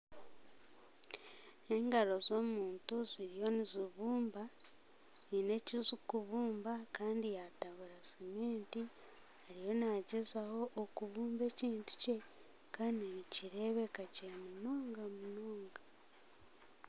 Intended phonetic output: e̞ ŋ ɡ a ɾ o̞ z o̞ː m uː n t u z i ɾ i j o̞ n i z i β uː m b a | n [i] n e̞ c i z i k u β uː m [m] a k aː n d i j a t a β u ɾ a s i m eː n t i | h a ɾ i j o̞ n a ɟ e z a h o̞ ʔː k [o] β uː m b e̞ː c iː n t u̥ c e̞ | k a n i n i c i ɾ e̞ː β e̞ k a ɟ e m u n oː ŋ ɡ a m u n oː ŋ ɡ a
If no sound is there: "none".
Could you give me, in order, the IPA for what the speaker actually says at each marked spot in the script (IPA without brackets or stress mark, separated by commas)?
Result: i, b, u